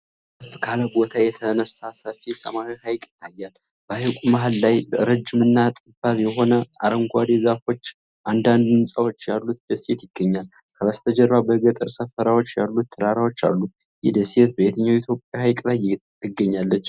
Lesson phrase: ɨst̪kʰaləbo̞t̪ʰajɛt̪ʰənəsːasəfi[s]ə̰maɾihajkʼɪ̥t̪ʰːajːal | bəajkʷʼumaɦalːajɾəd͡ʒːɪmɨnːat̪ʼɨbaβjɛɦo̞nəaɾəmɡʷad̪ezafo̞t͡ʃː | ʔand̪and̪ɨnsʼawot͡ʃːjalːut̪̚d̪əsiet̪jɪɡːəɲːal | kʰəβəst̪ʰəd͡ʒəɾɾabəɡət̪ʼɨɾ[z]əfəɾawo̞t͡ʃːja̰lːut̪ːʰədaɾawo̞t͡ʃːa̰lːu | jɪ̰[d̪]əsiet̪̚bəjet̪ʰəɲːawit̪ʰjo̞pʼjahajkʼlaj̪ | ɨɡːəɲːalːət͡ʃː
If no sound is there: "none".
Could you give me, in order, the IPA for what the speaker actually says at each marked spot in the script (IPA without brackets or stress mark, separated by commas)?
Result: s, s, d̪